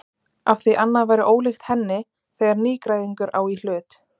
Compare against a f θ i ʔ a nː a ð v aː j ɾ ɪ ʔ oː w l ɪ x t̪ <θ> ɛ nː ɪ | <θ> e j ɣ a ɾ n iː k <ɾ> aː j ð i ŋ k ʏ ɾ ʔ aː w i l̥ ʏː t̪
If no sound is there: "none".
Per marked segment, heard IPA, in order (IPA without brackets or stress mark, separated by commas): h, θ, ɾ